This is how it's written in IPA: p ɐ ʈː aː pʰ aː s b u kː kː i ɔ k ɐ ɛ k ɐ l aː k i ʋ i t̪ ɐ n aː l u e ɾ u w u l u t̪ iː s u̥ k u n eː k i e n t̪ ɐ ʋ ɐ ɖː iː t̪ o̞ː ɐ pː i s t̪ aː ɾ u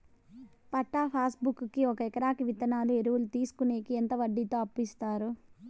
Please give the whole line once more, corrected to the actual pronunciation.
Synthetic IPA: p ɐ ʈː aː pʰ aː s b u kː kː i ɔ k ɐ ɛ k ɐ ɾ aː k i ʋ i t̪ ɐ n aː l u e ɾ u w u l u t̪ iː s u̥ k u n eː k i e n t̪ ɐ ʋ ɐ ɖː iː t̪ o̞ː ɐ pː i s t̪ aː ɾ u